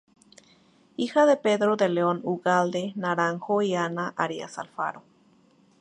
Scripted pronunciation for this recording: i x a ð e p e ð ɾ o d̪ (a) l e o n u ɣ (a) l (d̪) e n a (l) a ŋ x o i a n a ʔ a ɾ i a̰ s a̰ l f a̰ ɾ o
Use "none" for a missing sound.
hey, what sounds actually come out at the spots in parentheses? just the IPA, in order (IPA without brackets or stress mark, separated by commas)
e, a, d̪, ɾ